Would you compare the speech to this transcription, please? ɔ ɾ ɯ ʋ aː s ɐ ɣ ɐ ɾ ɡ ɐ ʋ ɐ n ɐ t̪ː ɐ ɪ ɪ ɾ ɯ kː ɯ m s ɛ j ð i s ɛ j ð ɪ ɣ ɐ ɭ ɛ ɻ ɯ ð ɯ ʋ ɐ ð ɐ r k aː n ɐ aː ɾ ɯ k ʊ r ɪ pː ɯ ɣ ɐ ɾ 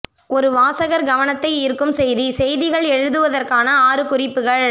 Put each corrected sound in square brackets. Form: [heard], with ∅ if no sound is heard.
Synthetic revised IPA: ɔ ɾ ɯ ʋ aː s ɐ ɣ ɐ ɾ ɡ ɐ ʋ ɐ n ɐ t̪ː ɐ ɪ ɪ ɾ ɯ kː ɯ m s ɛ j ð i s ɛ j ð ɪ ɣ ɐ ɭ ɛ ɻ ɯ ð ɯ ʋ ɐ ð ɐ r k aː n ɐ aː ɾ ɯ k ʊ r ɪ pː ɯ ɣ ɐ [ɭ]